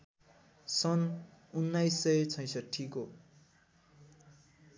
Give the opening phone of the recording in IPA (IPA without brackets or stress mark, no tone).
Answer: s